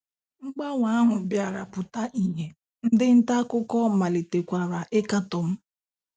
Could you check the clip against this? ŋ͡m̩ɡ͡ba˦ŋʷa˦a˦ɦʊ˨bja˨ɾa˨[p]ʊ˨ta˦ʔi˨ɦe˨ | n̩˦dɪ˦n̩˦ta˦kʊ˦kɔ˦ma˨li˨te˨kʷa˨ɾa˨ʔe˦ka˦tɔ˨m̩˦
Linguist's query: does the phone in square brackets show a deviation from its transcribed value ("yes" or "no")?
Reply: no